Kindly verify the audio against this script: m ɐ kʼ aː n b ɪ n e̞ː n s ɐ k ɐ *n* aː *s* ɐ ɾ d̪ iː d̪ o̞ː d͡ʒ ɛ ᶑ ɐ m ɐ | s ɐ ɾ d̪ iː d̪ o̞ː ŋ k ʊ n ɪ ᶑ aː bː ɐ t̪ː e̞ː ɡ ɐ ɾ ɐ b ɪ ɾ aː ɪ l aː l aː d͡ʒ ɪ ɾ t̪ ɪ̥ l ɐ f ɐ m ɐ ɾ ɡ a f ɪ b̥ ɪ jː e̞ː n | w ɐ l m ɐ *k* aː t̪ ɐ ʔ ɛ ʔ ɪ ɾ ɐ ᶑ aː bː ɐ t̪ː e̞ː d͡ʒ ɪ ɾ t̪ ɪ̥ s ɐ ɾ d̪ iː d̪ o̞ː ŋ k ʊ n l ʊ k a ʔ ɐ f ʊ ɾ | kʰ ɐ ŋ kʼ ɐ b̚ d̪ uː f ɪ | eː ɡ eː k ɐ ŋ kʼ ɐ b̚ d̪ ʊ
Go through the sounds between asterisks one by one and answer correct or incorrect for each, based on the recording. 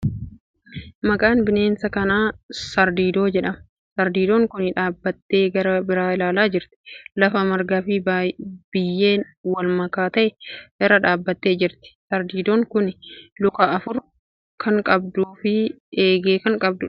correct, correct, correct

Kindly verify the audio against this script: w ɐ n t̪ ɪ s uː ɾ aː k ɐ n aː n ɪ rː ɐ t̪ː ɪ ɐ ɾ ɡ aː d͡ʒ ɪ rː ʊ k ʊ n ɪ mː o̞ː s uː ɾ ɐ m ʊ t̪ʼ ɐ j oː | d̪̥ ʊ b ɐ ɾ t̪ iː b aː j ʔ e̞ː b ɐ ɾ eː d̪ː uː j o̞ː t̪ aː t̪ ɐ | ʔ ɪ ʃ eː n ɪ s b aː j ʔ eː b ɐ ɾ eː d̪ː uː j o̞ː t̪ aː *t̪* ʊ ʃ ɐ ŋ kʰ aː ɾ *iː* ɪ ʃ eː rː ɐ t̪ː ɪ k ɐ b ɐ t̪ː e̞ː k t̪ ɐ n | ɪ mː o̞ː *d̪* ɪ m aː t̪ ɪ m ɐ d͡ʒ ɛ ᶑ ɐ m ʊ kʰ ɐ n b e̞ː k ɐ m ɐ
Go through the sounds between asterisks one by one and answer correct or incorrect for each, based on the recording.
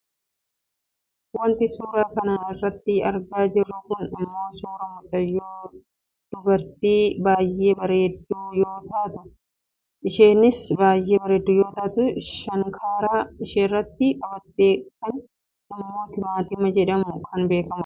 correct, incorrect, incorrect

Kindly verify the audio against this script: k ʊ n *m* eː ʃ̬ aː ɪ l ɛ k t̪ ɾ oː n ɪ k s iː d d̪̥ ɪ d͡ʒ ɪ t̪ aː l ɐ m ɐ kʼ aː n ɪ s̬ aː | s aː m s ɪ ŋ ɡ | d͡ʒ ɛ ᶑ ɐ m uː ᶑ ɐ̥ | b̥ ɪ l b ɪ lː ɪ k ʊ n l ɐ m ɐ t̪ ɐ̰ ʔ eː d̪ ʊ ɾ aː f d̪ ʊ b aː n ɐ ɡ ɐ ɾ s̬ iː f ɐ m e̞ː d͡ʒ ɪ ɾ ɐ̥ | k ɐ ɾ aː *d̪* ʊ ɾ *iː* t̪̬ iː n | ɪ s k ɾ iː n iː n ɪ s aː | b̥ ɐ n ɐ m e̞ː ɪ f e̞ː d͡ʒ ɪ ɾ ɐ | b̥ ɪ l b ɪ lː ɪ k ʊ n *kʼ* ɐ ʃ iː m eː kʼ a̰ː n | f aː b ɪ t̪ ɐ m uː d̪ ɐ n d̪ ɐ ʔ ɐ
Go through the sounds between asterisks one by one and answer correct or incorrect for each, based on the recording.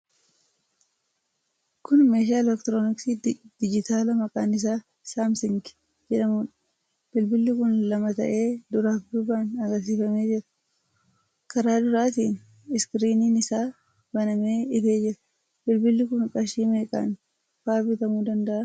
correct, correct, incorrect, correct

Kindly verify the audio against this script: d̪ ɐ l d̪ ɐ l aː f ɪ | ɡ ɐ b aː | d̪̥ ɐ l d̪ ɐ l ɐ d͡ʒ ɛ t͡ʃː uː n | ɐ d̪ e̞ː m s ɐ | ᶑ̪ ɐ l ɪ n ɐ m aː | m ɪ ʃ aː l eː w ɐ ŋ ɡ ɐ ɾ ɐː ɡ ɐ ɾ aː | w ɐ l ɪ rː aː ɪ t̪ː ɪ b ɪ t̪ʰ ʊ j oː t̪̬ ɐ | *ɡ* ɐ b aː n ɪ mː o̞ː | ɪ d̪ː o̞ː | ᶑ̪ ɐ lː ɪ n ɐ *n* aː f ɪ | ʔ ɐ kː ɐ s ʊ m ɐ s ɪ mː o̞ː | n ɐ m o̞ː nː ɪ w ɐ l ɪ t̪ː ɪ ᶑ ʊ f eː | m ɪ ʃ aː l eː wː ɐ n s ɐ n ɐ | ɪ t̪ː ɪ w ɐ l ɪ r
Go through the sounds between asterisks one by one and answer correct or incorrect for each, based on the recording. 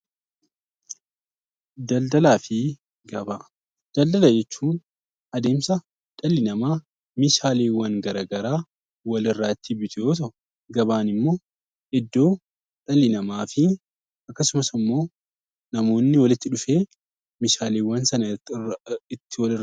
correct, incorrect

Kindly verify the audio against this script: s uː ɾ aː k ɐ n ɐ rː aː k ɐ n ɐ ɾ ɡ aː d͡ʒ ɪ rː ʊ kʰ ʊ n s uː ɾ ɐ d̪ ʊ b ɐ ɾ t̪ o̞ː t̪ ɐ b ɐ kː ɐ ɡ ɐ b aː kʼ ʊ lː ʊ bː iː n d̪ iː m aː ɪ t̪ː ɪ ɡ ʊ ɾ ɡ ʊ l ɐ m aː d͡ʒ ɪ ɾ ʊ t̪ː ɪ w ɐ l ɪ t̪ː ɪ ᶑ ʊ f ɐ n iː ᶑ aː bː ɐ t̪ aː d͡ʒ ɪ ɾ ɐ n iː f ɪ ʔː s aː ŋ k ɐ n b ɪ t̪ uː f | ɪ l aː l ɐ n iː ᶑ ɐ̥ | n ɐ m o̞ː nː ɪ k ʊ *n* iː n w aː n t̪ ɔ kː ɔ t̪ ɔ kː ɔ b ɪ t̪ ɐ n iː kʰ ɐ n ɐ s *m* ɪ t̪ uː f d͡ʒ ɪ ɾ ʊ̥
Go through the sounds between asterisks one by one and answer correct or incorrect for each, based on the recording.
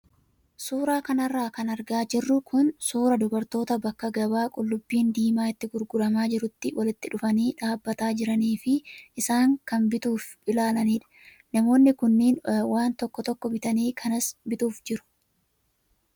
incorrect, incorrect

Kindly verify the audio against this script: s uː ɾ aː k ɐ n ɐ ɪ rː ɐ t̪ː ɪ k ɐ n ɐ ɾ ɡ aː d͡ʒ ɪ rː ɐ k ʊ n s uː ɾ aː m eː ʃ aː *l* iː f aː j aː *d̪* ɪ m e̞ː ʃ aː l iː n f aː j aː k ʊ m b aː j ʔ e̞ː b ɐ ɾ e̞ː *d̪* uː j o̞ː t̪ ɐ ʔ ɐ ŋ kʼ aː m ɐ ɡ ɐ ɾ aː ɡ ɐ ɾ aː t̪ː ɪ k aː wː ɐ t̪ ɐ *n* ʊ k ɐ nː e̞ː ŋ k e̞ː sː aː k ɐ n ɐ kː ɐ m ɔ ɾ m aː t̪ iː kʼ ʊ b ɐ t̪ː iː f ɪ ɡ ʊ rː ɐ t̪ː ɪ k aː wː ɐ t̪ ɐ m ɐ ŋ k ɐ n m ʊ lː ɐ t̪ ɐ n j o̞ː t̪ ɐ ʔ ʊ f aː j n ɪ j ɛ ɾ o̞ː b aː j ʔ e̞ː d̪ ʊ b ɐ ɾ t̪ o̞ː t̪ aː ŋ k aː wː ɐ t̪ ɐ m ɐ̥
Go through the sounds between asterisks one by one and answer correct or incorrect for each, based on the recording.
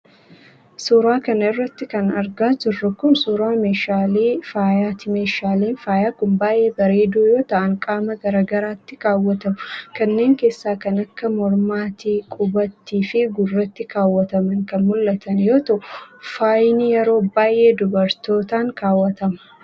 correct, incorrect, correct, incorrect

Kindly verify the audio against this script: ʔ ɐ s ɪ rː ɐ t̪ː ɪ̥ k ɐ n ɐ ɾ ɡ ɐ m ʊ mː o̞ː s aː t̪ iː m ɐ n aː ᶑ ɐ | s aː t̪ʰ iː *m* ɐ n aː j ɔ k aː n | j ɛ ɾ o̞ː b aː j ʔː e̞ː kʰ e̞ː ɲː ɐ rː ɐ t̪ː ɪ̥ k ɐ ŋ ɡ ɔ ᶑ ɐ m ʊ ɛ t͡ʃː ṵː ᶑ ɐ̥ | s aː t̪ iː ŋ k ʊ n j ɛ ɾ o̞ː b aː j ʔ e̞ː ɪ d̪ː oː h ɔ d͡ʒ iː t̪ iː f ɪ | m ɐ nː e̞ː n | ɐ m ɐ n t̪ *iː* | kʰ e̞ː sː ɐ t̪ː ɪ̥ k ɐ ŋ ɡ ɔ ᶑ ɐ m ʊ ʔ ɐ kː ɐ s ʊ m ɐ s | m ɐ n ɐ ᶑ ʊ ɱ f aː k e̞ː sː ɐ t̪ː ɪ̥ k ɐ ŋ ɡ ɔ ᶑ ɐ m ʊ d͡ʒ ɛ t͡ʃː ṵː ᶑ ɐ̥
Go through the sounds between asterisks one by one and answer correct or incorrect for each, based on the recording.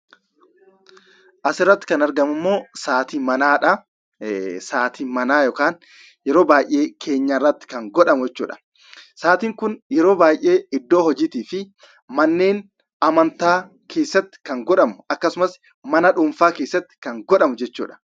correct, incorrect

